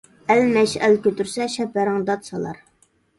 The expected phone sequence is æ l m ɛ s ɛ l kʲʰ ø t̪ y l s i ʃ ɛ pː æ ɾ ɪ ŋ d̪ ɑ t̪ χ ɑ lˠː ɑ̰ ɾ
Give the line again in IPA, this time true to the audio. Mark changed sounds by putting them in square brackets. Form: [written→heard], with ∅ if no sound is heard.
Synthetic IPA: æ l m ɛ [s→ʃ] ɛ l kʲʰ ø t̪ y [l→ɾ] s [i→ɛ] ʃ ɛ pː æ ɾ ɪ ŋ d̪ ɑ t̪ [χ→s] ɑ [lˠː→lˠ] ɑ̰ ɾ